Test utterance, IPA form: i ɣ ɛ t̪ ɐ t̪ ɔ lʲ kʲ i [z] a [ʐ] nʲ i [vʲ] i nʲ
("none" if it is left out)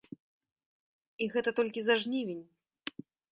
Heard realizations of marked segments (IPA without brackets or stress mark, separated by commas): z, ʐ, vʲ